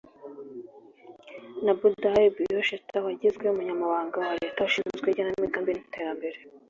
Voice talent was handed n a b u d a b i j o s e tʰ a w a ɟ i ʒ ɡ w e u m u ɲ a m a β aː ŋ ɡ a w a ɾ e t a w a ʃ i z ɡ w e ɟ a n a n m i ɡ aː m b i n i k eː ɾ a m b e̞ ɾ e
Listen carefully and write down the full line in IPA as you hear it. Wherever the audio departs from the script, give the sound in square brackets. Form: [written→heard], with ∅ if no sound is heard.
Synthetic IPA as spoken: n a b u d a b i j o [s→ʃ] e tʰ a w a ɟ i [ʒ→z] ɡ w e u m u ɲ a m a β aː ŋ ɡ a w a ɾ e t a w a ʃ i z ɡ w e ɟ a n a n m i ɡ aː m b i n i [k→t] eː ɾ a m b e̞ ɾ e